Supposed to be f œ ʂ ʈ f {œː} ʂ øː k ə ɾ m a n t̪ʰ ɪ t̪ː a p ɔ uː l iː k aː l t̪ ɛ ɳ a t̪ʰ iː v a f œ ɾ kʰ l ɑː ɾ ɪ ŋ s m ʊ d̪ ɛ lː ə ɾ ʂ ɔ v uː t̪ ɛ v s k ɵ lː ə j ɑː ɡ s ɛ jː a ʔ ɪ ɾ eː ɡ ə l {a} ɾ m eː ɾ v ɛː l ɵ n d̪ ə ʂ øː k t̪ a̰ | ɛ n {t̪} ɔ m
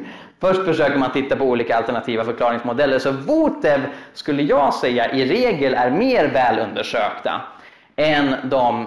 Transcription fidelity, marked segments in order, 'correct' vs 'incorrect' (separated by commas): incorrect, incorrect, incorrect